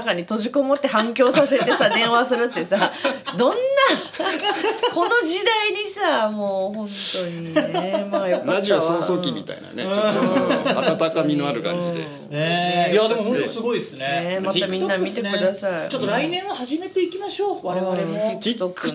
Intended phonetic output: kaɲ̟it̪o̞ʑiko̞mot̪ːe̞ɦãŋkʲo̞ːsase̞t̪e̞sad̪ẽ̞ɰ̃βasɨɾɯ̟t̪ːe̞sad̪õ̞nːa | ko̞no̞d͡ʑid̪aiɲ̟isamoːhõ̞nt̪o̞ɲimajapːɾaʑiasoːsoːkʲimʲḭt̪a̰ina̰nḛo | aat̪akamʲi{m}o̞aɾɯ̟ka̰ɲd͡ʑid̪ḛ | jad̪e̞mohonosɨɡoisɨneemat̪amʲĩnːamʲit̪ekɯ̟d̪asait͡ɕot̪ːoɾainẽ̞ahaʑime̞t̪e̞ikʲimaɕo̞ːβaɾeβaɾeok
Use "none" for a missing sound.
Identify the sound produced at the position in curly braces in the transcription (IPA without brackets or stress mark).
n